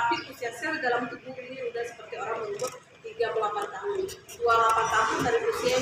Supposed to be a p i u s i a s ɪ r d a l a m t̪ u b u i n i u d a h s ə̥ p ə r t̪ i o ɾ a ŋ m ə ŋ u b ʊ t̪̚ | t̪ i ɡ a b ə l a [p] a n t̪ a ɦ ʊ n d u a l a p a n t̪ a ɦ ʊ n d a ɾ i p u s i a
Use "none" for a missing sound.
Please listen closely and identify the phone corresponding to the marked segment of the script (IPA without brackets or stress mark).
p